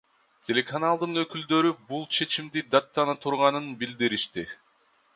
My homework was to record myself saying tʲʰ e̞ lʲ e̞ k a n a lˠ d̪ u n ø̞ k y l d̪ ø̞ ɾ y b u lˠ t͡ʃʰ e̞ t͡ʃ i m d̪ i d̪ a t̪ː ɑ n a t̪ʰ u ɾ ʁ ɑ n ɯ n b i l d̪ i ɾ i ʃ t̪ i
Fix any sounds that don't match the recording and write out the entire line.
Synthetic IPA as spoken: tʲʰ e̞ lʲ e̞ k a n a lˠ d̪ ɯ n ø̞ k y l d̪ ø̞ ɾ y b u lˠ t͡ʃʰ e̞ t͡ʃ i m d̪ i d̪ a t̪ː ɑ n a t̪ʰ u ɾ ʁ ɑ n ɯ n b i l d̪ i ɾ i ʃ t̪ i